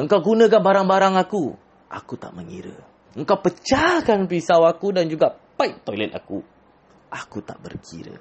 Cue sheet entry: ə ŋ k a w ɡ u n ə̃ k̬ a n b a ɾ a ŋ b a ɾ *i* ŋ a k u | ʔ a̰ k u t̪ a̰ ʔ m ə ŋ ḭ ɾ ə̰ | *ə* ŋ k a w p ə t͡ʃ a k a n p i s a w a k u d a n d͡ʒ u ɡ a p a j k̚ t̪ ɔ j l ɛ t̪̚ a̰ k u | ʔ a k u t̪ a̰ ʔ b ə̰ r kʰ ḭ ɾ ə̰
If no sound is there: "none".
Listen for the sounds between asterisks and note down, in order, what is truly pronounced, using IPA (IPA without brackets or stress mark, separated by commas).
a, ə